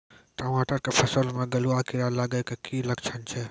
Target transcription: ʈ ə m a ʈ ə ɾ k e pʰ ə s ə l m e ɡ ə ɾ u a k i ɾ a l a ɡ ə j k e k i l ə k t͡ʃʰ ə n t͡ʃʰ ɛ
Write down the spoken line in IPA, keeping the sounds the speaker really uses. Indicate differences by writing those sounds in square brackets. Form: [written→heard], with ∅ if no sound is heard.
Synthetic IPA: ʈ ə m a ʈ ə ɾ k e pʰ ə s ə l m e ɡ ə [ɾ→l] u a k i ɾ a l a ɡ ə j k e k i l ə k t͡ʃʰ ə n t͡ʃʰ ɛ